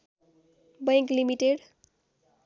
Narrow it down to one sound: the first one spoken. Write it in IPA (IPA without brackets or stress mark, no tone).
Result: b